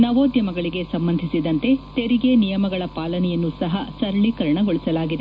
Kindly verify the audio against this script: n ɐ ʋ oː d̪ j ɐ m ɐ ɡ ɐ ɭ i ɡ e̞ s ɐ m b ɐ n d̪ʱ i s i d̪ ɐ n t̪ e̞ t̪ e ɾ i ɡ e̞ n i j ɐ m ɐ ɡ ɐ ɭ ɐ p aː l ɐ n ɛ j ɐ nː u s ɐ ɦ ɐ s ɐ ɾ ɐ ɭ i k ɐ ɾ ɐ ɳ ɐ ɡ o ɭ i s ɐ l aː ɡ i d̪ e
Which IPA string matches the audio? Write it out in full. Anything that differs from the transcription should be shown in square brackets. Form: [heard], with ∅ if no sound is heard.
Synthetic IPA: n ɐ ʋ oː d̪ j ɐ m ɐ ɡ ɐ ɭ i ɡ e̞ s ɐ m b ɐ n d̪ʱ i s i d̪ ɐ n t̪ e̞ t̪ e ɾ i ɡ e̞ n i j ɐ m ɐ ɡ ɐ ɭ ɐ p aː l ɐ n ɛ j ɐ nː u s ɐ ɦ ɐ s ɐ ɾ ɐ ɭ i k ɐ ɾ ɐ ɳ ɐ ɡ o ɭ i s ɐ l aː ɡ i d̪ e